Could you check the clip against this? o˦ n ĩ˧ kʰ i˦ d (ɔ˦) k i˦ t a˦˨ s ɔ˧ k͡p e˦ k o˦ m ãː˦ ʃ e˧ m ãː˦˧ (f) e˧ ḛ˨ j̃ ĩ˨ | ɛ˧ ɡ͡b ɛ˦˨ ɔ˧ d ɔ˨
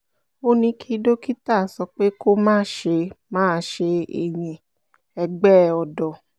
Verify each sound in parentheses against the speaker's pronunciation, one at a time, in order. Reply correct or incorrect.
incorrect: o˦, incorrect: ʃ

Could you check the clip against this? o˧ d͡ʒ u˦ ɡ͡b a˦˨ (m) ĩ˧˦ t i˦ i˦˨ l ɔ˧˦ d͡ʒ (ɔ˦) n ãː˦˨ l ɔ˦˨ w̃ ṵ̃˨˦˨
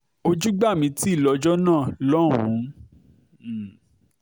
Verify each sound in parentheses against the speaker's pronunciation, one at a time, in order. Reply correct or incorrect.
correct, correct

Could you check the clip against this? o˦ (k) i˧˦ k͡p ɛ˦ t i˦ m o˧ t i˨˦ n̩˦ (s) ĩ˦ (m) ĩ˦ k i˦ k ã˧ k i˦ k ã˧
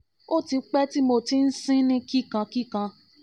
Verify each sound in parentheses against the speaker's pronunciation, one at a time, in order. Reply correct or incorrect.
incorrect: t, correct, incorrect: n

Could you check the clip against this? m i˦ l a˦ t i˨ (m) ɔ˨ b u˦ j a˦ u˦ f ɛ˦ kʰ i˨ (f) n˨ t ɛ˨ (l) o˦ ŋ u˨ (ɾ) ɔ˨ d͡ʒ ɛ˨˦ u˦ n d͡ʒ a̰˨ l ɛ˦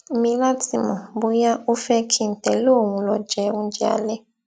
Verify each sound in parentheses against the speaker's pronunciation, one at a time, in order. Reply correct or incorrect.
correct, incorrect: none, correct, incorrect: l

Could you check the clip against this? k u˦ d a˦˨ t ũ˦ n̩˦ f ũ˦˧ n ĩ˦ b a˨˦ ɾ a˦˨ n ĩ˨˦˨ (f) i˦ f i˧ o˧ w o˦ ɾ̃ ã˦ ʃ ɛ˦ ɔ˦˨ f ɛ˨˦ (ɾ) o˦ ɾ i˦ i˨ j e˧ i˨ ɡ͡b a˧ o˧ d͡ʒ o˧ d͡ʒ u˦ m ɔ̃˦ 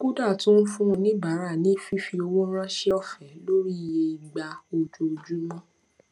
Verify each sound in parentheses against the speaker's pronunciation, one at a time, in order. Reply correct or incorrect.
correct, incorrect: l

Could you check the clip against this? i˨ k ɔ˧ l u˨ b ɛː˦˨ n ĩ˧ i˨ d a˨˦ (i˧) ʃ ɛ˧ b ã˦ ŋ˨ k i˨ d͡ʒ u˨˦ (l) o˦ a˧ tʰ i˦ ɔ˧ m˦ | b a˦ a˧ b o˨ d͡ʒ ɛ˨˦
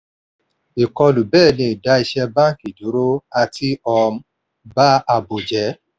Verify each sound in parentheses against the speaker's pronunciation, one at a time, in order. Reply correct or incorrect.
correct, incorrect: ɾ

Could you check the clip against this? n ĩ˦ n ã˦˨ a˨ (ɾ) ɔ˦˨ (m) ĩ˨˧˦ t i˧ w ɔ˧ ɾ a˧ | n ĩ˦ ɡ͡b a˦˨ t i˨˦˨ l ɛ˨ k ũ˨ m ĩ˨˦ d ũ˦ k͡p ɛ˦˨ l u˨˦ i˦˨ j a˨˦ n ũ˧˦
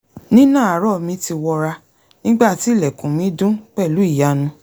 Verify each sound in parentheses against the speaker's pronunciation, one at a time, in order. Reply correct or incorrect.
correct, correct

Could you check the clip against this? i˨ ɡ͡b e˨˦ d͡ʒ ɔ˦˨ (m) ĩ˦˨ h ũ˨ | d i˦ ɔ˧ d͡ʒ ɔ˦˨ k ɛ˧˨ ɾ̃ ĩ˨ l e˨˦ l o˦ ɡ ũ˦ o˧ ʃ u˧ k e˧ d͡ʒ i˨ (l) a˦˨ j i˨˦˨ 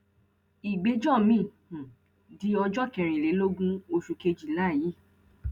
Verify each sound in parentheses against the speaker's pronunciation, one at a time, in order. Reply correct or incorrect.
correct, correct

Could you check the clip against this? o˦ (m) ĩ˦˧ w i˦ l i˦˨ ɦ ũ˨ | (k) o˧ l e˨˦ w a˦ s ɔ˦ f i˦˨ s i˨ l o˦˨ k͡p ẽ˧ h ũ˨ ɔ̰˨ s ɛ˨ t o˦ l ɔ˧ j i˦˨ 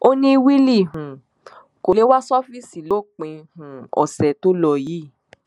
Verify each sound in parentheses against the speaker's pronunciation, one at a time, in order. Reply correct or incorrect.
incorrect: n, correct

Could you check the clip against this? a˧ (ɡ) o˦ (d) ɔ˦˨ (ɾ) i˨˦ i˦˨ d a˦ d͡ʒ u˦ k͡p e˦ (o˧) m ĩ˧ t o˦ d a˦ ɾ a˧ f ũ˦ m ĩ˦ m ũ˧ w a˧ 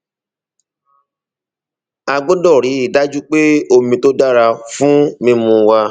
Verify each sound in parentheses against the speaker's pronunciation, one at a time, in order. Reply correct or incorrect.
incorrect: ɡ͡b, correct, correct, correct

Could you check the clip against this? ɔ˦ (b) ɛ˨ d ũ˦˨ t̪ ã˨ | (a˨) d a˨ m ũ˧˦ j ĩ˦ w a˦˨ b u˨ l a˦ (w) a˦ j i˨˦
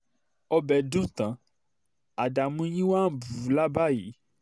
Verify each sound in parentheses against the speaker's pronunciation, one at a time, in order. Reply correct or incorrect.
correct, correct, incorrect: b

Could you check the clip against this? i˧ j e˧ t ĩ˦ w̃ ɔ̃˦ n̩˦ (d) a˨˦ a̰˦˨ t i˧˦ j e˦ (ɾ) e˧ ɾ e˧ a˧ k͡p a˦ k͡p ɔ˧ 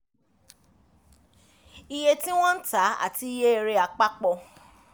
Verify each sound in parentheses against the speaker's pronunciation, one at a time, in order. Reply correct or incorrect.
incorrect: t, incorrect: none

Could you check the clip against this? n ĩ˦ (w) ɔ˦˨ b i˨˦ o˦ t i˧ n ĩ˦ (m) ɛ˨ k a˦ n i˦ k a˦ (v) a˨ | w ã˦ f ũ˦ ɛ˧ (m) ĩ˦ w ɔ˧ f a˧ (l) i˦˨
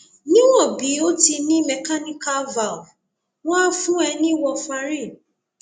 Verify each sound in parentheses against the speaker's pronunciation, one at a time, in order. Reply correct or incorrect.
correct, correct, correct, incorrect: n, incorrect: ɾ

